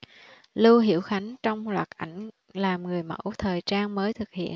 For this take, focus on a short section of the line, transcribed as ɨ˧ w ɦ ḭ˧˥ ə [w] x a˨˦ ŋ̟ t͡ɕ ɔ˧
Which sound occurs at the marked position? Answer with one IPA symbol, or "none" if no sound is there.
w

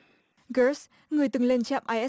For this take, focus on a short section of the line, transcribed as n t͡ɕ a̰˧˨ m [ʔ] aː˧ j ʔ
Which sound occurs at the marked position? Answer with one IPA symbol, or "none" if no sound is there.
ʔ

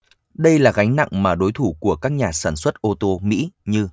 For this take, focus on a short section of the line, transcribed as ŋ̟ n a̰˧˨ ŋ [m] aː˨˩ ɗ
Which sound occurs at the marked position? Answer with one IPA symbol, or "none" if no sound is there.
m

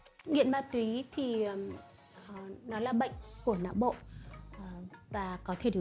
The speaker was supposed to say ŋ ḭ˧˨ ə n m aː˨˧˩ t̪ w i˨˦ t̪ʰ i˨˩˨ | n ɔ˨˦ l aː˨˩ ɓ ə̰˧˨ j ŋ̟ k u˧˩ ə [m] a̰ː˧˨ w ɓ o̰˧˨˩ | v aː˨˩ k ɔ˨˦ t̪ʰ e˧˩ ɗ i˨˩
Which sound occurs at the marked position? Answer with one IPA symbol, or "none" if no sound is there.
n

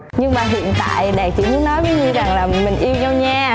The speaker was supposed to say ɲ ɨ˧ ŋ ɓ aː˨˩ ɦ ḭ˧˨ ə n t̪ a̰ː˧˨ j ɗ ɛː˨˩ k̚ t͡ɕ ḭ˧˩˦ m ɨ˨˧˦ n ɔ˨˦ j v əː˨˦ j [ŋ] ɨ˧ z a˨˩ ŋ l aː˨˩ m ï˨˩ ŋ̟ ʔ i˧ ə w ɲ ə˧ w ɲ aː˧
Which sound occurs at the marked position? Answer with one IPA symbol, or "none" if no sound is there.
ɲ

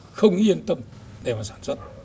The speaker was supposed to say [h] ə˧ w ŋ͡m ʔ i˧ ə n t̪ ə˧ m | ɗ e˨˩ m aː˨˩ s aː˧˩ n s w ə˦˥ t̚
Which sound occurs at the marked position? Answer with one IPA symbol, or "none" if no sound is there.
x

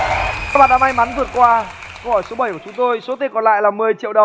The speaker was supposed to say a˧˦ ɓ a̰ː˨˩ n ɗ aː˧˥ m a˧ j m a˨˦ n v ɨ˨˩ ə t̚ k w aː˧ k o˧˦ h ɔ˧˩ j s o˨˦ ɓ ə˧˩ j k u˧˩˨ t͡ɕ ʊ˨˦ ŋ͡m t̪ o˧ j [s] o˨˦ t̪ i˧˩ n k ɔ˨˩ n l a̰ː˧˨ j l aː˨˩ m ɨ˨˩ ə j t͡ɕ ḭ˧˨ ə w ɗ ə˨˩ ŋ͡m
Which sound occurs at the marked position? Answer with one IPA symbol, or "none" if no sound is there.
s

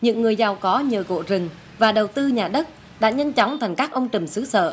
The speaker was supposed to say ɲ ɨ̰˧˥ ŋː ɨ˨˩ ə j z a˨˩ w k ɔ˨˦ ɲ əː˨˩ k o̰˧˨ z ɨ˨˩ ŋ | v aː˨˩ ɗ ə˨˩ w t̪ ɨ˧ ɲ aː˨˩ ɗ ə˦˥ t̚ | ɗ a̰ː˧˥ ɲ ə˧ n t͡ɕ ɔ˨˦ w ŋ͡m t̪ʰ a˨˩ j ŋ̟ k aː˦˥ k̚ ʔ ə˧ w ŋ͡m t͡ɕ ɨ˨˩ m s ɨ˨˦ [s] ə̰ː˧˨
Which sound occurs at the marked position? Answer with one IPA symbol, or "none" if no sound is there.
s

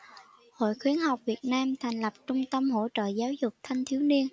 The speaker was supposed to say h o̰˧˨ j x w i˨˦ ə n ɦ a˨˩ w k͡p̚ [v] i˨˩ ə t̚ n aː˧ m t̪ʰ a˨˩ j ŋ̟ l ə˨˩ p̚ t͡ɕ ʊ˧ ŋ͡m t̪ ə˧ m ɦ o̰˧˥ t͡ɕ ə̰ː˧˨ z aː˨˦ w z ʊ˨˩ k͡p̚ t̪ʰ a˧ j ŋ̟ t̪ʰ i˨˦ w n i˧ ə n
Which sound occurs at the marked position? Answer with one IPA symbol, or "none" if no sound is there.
v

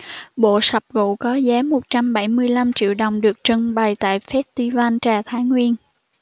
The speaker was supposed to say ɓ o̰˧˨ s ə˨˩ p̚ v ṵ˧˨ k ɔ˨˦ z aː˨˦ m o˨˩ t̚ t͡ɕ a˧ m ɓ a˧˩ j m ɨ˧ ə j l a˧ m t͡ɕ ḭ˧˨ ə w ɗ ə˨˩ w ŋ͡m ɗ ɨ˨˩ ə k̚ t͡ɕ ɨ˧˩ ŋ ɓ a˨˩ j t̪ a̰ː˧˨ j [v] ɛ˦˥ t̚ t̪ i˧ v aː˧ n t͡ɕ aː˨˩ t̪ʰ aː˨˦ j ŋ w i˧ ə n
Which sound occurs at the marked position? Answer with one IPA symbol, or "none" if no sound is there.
f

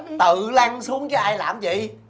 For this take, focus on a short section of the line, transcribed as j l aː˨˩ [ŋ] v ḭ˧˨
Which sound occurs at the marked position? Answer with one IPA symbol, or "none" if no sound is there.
m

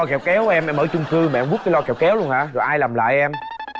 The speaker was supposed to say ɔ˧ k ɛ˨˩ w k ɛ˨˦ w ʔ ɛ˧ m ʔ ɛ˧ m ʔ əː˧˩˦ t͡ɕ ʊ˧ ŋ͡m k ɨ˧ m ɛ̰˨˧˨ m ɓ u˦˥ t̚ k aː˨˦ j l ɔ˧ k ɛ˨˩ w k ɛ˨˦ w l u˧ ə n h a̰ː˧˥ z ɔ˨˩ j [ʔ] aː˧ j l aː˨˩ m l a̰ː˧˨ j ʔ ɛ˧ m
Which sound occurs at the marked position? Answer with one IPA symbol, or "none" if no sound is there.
ʔ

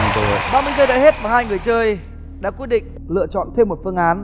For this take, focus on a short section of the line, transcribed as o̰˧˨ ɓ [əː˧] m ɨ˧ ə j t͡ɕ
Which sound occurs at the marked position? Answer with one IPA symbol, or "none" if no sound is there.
aː˧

